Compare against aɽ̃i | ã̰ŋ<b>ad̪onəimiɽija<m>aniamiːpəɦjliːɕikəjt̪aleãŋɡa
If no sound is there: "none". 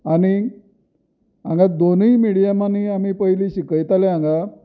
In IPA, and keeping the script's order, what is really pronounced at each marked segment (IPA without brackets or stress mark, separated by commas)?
ɡ, m